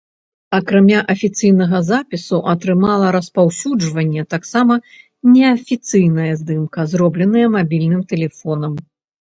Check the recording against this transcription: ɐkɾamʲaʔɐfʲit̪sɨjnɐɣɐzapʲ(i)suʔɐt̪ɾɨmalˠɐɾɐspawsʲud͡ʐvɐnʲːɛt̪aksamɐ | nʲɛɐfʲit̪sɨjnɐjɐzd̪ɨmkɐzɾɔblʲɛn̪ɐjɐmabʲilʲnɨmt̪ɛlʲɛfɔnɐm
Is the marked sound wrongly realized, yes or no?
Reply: no